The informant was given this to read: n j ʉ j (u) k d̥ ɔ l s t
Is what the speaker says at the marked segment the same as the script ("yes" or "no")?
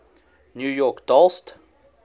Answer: no